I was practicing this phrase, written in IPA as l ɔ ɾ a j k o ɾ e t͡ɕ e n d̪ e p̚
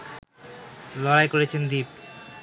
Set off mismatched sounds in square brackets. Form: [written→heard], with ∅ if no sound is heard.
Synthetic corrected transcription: l ɔ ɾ a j k o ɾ e [t͡ɕ→t͡ɕʰ] e n d̪ [e→i] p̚